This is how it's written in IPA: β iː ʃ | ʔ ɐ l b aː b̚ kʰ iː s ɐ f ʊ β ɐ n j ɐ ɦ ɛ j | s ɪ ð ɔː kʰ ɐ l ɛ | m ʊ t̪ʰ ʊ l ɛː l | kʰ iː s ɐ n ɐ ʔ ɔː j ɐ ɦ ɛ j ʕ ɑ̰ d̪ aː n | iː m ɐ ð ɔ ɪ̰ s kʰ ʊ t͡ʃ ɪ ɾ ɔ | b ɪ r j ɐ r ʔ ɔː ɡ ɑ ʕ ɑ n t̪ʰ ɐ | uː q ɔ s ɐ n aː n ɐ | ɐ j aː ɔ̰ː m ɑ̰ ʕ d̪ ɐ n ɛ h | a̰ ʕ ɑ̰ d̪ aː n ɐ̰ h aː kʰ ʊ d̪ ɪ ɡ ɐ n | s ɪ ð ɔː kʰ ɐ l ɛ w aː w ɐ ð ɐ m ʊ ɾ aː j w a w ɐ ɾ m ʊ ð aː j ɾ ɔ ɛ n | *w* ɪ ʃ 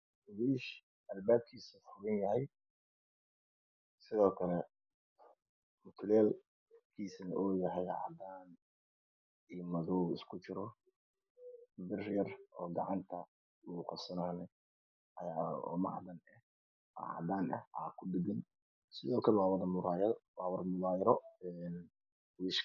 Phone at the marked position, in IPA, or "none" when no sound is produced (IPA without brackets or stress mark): w